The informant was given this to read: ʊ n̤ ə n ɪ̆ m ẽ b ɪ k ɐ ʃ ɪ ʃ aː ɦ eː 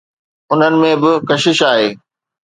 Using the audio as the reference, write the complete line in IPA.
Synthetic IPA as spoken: ʊ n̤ ə n ɪ̆ m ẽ b ɪ k ɐ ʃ ɪ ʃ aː ɦ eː